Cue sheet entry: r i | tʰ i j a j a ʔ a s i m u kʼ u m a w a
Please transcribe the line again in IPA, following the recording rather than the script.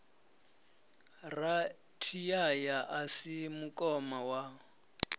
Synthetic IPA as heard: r a | tʰ i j a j a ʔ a s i m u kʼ ɔ m a w a